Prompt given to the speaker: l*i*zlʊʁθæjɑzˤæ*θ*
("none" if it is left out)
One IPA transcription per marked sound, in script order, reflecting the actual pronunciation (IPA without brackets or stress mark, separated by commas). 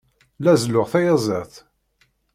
æ, θ